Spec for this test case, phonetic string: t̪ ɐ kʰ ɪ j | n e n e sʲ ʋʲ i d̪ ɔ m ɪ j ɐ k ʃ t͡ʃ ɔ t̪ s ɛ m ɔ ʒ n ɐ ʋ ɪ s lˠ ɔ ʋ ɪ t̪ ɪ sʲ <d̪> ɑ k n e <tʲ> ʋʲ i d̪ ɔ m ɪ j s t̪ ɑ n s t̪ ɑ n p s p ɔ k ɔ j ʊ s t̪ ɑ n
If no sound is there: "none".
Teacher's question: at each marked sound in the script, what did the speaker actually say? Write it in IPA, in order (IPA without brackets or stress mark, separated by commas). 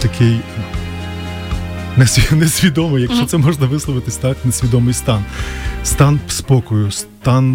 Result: t̪, sʲ